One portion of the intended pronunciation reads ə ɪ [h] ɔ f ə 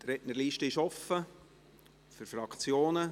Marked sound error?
yes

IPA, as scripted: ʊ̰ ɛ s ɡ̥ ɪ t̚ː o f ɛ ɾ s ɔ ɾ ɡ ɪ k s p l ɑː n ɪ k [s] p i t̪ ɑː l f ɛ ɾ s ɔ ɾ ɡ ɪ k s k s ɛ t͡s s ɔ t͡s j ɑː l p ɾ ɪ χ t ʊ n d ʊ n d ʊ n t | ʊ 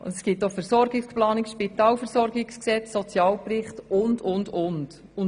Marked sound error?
yes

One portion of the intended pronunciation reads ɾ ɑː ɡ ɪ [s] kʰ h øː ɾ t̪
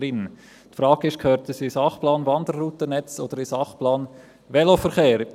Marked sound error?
yes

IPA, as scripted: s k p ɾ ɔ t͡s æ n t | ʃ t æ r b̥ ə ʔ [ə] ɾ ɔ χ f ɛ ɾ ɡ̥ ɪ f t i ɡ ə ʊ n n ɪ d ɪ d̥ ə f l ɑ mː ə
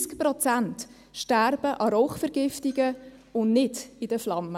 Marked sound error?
yes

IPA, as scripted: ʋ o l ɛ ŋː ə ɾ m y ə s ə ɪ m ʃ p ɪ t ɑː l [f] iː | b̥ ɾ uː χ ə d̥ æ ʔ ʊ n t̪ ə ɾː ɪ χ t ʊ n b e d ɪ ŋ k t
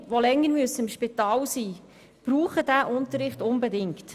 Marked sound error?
yes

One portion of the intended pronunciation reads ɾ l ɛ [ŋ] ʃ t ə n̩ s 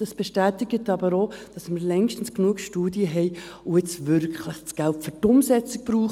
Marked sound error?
no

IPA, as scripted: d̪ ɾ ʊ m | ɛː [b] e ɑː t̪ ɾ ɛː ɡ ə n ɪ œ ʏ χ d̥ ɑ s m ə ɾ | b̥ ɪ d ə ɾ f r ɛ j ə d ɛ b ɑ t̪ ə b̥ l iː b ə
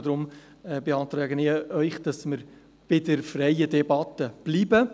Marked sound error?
no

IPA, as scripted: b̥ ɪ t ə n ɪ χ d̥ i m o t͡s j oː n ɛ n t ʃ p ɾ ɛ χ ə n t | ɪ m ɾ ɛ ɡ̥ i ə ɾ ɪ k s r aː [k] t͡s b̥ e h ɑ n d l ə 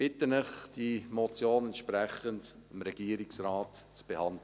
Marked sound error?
yes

